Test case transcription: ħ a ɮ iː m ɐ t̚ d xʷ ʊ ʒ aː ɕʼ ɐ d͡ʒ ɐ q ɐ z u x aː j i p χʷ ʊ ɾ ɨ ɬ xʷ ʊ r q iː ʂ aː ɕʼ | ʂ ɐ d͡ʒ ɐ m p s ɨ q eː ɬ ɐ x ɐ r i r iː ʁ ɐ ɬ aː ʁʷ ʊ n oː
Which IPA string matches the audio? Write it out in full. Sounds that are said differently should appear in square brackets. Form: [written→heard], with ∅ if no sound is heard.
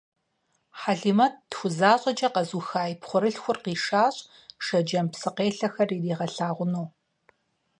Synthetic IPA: ħ a ɮ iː m ɐ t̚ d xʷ ʊ [ʒ→z] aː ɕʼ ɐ d͡ʒ ɐ q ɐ z u x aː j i p χʷ ʊ ɾ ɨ ɬ xʷ ʊ r q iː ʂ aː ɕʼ | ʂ ɐ d͡ʒ ɐ m p s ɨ q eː ɬ ɐ x ɐ r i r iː ʁ ɐ ɬ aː ʁʷ ʊ n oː